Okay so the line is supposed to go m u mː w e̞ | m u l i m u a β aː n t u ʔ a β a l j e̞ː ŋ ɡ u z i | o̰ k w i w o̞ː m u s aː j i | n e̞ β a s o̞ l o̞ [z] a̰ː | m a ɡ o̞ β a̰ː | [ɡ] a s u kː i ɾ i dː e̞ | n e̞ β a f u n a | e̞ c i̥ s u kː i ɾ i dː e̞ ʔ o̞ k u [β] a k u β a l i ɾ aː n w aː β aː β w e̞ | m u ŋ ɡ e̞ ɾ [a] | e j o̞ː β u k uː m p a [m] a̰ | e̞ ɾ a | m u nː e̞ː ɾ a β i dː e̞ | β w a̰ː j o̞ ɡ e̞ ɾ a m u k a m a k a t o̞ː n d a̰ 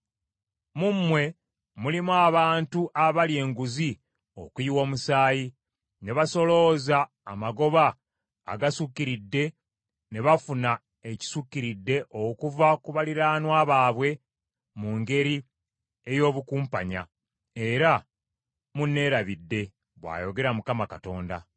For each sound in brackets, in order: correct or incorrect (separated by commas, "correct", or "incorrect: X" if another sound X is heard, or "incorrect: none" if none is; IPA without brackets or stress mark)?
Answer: correct, correct, incorrect: v, incorrect: i, incorrect: ɲ